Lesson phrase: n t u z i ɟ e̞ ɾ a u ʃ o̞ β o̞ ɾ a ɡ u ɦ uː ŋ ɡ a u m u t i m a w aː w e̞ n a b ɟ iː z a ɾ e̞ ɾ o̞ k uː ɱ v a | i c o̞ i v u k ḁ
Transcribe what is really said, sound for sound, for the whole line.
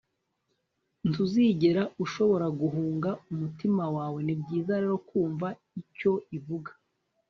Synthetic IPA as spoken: n t u z i ɟ e̞ ɾ a u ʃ o̞ β o̞ ɾ a ɡ u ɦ uː ŋ ɡ a u m u t i m a w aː w e̞ n i b ɟ iː z a ɾ e̞ ɾ o̞ k uː ɱ v a | i c o̞ i v u ɡ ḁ